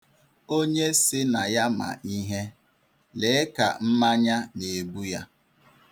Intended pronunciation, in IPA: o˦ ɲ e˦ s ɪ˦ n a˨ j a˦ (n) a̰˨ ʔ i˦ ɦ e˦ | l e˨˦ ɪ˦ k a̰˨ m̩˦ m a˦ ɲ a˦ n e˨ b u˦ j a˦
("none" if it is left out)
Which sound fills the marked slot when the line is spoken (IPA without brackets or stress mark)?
m